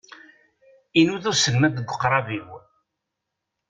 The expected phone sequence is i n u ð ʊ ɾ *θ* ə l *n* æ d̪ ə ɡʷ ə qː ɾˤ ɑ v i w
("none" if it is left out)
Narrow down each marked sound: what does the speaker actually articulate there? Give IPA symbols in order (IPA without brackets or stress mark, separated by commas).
s, m